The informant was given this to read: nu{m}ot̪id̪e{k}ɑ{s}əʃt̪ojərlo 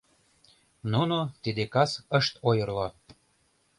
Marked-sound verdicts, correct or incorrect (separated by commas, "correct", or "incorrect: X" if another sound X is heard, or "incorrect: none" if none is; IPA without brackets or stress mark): incorrect: n, correct, correct